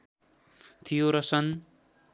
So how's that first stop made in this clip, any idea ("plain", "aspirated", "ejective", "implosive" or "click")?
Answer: aspirated